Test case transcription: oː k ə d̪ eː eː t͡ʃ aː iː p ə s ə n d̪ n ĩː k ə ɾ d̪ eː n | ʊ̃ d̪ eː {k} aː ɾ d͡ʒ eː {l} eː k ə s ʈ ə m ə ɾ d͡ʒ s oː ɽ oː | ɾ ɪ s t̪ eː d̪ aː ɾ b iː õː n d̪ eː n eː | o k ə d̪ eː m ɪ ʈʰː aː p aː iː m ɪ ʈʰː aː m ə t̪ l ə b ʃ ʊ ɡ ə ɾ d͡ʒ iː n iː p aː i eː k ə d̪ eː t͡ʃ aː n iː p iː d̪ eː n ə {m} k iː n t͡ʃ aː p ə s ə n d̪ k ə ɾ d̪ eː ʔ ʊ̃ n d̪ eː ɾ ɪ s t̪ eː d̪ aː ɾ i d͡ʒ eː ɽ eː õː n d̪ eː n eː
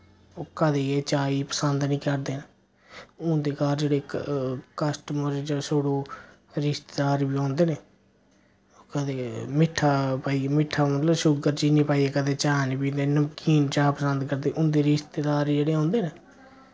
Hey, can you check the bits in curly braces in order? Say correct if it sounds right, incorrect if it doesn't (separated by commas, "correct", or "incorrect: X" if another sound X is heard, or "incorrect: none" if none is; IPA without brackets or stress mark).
correct, incorrect: ɽ, correct